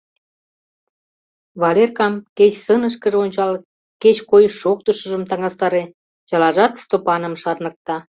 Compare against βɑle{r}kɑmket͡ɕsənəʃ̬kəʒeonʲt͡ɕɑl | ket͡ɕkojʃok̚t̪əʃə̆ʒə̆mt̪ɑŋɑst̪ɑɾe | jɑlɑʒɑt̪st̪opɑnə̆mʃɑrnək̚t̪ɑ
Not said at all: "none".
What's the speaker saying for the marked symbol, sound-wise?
r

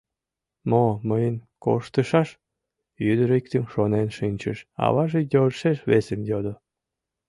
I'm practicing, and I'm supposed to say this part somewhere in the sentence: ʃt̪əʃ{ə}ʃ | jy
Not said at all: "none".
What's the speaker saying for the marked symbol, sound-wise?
ɑ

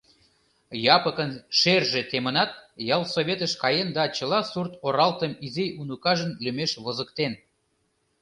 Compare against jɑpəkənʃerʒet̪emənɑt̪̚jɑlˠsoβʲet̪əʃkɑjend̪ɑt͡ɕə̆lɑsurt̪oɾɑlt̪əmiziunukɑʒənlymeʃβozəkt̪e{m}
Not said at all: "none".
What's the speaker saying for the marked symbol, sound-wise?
n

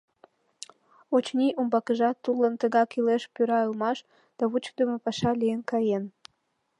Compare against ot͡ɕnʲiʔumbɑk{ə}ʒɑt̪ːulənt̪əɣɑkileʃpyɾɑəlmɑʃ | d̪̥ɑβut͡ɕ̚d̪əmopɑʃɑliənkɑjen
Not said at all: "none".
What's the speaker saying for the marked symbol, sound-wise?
ə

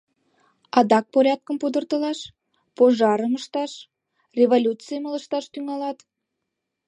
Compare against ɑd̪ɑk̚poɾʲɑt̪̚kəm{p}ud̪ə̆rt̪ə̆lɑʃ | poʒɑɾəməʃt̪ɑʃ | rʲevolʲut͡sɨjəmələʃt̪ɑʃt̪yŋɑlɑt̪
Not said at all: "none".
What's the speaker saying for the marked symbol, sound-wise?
p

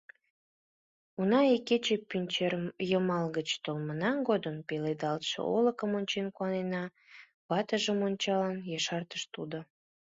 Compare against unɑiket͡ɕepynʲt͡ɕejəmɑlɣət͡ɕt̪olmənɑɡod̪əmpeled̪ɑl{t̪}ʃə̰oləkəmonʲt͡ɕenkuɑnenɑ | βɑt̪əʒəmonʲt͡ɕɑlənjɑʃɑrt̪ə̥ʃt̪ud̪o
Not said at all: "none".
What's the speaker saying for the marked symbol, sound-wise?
t̪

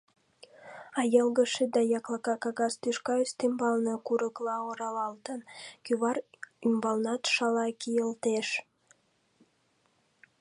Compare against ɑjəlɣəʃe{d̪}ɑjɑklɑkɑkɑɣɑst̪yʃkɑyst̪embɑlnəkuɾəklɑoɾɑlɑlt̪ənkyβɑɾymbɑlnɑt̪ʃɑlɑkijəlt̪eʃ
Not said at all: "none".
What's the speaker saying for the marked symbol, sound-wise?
d̪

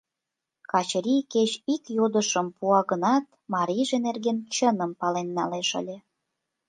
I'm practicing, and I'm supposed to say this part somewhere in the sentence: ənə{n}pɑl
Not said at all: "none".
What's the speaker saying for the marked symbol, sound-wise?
m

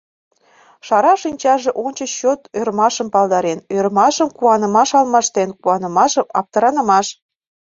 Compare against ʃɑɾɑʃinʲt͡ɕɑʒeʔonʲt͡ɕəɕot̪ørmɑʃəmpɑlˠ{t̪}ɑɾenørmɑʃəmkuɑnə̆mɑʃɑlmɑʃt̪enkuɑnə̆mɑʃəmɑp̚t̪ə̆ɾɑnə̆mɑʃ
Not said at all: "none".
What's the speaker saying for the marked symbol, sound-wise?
d̪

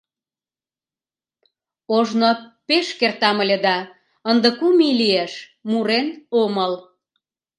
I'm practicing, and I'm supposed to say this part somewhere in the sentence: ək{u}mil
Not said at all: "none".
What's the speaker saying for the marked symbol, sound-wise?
u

